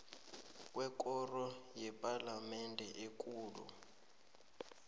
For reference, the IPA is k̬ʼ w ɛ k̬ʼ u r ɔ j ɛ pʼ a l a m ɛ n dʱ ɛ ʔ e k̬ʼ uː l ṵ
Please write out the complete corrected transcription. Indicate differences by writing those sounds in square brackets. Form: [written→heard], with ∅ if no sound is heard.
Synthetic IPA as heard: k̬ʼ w ɛ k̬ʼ [u→ɔ] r ɔ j ɛ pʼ a l a m ɛ n dʱ ɛ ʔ e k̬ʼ uː l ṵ

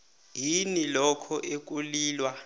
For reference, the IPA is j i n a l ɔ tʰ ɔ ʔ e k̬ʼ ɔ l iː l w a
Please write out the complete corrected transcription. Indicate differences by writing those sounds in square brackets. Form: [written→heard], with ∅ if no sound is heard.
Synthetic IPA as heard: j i n [a→i] l ɔ [tʰ→kʰ] ɔ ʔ e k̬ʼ [ɔ→u] l iː l w a

